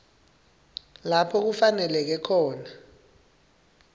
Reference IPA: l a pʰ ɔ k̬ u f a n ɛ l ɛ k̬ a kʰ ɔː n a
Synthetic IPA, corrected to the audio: l a pʰ ɔ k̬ u f a n ɛ l ɛ k̬ ɛ kʰ ɔː n a